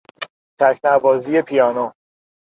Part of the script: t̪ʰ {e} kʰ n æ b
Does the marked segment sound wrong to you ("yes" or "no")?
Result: yes